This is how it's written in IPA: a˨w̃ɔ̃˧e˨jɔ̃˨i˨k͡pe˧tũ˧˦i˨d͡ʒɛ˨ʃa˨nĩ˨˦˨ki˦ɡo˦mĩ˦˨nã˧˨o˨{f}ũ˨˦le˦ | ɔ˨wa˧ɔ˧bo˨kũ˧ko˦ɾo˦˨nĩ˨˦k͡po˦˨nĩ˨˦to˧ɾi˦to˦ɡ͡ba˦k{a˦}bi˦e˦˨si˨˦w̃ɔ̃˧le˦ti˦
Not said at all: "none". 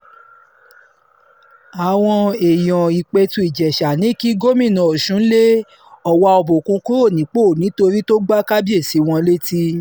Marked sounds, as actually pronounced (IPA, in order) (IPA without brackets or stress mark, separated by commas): ʃ, a˦